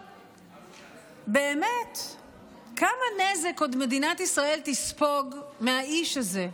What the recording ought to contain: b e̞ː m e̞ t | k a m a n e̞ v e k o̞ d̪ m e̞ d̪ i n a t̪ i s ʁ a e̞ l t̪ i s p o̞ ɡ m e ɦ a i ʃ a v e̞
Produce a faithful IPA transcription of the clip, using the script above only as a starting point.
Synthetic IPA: b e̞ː m e̞ t | k a m a n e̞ z e k o̞ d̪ m e̞ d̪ i n a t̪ i s ʁ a e̞ l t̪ i s p o̞ ɡ m e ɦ a i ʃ a z e̞